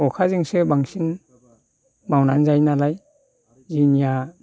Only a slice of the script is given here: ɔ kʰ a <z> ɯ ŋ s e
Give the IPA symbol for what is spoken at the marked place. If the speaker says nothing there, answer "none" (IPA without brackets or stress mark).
z